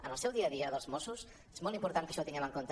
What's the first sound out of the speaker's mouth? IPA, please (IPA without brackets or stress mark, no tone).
ə